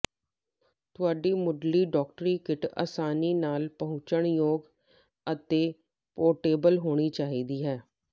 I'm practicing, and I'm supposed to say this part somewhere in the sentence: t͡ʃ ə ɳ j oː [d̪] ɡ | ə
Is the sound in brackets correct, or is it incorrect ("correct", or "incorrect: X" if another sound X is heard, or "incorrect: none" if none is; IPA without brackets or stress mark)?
incorrect: none